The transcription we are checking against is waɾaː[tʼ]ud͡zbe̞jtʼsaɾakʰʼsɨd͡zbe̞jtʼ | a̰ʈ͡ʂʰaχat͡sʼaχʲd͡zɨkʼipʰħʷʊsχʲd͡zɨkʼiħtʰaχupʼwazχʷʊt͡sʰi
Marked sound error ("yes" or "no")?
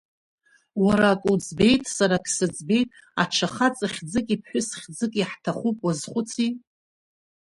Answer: yes